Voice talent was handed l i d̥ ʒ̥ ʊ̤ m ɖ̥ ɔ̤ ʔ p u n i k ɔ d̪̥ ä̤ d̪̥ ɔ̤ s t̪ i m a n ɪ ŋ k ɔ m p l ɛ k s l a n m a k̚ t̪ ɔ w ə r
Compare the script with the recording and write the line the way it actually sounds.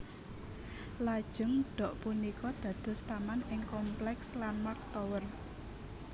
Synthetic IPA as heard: l a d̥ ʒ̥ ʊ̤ ŋ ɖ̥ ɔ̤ ʔ p u n i k ɔ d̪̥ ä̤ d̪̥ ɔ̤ s t̪ a m a n ɪ ŋ k ɔ m p l ɛ k s l a n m a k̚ t̪ ɔ w ə r